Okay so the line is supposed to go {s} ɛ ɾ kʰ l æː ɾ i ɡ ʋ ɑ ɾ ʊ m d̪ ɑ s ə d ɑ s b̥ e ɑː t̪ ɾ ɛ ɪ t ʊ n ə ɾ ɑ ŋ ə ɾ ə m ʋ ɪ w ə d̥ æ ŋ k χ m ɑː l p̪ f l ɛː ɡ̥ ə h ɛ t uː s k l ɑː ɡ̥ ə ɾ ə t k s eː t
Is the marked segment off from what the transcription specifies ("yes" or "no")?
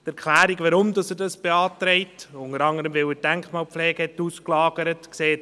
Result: yes